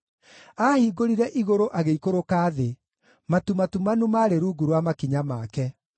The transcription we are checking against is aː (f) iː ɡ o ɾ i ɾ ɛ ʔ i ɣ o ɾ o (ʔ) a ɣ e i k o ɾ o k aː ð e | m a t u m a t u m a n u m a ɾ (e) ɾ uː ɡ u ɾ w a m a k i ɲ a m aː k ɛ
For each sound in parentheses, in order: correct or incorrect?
incorrect, correct, correct

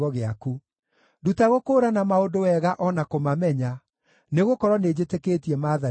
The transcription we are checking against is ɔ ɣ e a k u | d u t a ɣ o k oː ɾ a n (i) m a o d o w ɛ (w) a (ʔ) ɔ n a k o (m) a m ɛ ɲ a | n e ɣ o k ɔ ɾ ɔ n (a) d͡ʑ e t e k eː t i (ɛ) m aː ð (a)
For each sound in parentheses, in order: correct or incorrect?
incorrect, incorrect, correct, correct, incorrect, correct, correct

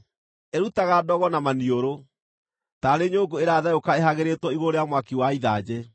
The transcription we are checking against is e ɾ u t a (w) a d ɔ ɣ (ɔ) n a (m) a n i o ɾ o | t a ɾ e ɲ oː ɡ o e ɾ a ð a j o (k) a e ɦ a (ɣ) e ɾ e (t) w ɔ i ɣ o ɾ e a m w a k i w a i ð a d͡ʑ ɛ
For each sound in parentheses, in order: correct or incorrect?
incorrect, correct, correct, correct, correct, correct

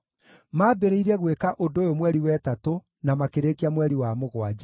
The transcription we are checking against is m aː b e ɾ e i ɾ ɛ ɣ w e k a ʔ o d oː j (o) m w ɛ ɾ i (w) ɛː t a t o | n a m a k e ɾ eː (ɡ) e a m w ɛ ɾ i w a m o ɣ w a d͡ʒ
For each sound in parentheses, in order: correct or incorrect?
correct, correct, incorrect

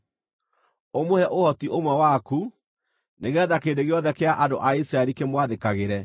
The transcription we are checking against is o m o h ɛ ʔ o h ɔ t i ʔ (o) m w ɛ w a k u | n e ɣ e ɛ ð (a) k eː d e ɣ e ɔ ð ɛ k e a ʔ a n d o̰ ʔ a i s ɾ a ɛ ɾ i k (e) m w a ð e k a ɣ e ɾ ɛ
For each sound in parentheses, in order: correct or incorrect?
correct, correct, correct

